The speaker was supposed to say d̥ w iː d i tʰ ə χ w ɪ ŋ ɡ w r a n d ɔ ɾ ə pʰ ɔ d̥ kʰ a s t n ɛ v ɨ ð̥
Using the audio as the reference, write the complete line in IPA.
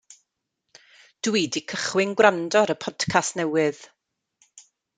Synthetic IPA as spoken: d̥ w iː d i kʰ ə χ w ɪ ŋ ɡ w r a n d ɔ ɾ ə pʰ ɔ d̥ kʰ a s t n ɛ w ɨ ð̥